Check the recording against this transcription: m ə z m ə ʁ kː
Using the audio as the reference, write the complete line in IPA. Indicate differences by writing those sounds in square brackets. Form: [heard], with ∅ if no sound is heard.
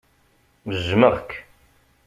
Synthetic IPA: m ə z m ə ʁ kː